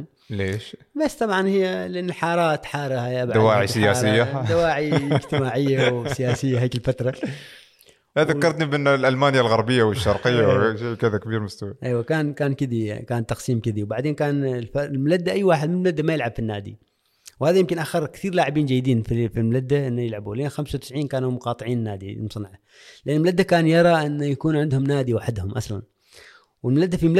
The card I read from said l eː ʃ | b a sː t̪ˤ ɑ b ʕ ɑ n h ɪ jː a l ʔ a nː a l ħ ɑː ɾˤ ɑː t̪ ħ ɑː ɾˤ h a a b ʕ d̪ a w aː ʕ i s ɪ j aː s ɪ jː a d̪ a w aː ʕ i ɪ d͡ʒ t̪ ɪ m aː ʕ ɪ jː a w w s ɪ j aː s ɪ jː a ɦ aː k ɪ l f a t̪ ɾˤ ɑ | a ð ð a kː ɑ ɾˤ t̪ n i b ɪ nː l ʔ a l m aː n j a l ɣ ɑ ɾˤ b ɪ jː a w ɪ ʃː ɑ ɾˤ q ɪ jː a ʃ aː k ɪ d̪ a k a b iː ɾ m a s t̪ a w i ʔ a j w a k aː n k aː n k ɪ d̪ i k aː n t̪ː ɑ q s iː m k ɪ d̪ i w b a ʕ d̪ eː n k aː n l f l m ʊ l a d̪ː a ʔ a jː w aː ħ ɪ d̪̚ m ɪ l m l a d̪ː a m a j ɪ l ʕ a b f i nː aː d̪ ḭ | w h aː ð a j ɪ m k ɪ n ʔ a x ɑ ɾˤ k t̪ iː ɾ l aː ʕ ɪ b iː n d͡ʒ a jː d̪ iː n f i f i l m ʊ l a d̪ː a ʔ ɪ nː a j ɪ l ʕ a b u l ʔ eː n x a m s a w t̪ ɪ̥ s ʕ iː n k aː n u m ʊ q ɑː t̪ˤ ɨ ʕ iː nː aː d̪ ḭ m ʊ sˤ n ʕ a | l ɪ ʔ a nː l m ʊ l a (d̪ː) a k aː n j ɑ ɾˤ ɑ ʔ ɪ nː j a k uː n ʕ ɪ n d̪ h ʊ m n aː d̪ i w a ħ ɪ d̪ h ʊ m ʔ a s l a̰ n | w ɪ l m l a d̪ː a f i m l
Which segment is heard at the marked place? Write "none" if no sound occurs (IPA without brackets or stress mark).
d̪ː